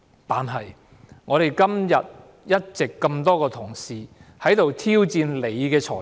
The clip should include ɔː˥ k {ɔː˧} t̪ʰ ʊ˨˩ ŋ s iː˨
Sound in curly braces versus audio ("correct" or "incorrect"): correct